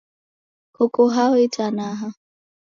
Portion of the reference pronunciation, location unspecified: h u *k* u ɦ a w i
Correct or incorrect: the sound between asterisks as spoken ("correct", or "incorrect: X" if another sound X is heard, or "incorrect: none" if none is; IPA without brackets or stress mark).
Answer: correct